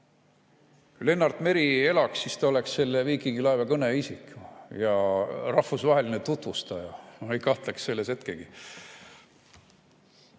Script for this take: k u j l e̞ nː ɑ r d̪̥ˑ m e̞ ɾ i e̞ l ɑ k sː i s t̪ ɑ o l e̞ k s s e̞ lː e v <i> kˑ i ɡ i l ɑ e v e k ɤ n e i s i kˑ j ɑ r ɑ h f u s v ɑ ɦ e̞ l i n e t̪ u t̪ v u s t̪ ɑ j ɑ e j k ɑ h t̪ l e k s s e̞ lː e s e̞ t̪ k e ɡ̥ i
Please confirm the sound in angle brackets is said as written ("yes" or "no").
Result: no